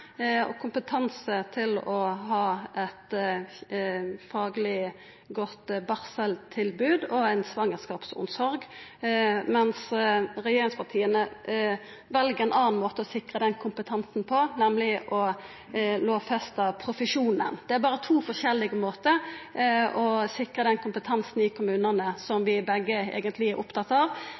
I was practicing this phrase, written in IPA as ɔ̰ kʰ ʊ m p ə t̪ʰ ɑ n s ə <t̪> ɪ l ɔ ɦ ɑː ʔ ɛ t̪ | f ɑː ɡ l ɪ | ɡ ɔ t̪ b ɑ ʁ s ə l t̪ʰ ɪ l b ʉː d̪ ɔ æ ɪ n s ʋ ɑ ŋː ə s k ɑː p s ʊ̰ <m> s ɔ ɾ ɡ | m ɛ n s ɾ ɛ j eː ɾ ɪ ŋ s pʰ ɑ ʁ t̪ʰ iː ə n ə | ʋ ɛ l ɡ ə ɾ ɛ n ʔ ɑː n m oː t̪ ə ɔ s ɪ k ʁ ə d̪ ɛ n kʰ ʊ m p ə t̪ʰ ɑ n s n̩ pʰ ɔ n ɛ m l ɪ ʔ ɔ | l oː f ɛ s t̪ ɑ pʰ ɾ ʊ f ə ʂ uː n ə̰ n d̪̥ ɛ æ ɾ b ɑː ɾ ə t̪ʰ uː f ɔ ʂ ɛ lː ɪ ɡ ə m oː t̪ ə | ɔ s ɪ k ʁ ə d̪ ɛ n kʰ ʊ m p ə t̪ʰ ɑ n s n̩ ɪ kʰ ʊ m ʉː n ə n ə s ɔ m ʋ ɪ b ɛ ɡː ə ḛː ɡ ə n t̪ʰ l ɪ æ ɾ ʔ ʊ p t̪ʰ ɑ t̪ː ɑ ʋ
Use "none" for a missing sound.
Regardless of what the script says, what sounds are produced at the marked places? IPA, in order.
t̪ʰ, n

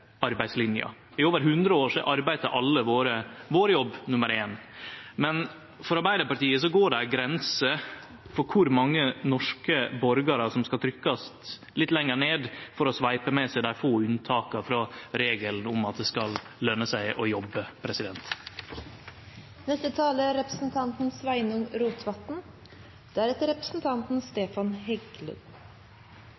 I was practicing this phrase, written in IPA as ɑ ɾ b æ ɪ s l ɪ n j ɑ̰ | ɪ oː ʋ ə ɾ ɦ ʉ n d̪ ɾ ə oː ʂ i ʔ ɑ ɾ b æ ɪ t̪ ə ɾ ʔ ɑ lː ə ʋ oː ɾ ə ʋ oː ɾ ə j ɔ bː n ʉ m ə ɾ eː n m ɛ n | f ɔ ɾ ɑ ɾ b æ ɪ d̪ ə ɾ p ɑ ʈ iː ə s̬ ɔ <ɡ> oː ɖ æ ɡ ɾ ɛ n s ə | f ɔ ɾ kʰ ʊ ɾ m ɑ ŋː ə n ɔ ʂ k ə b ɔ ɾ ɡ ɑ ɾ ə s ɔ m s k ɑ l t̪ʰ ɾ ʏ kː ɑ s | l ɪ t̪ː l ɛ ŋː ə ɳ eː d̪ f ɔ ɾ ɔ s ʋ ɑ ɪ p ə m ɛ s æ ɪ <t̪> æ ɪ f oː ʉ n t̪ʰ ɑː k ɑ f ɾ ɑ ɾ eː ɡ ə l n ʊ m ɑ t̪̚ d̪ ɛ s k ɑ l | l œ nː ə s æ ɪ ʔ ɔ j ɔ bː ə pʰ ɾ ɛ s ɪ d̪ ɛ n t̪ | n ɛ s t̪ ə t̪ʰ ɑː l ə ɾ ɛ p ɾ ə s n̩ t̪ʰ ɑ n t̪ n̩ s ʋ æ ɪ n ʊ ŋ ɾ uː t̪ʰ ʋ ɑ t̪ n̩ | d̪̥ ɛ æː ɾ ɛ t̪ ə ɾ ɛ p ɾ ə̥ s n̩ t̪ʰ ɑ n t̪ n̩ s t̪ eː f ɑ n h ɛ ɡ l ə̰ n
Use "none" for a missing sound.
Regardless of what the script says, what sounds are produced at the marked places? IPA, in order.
ɡ, d̪

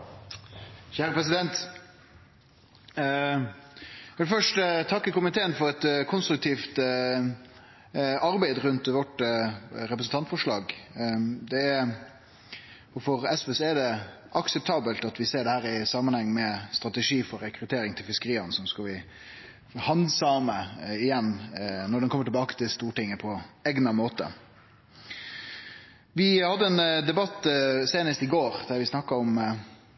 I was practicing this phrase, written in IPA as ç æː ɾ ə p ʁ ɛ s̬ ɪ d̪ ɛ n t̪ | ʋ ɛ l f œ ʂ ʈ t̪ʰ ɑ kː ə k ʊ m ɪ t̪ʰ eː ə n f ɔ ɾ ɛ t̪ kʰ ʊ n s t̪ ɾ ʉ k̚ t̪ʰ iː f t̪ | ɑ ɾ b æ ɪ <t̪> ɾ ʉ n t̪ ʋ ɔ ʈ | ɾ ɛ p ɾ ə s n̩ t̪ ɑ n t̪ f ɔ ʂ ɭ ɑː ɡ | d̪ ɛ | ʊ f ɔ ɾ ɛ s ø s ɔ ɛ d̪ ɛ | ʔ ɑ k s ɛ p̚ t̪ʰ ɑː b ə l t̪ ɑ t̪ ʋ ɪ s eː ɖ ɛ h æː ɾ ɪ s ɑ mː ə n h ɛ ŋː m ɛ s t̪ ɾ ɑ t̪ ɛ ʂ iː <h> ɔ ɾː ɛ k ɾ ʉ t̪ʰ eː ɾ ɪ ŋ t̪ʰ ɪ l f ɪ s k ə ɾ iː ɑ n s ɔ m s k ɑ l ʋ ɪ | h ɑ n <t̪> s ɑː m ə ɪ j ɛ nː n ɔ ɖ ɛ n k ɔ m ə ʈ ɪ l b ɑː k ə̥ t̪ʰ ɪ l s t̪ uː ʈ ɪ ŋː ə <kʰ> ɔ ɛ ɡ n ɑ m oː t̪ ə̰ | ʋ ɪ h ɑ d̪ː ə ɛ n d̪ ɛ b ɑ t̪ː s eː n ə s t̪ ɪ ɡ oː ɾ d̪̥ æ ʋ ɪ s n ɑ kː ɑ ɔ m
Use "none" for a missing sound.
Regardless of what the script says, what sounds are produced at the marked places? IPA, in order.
d̪, f, d̪, pʰ

